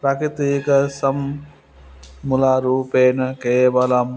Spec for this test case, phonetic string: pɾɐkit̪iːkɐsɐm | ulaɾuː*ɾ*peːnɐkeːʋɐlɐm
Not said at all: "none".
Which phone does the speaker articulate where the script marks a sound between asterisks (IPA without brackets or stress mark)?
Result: none